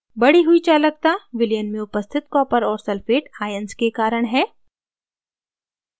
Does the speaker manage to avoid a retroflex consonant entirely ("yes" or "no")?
no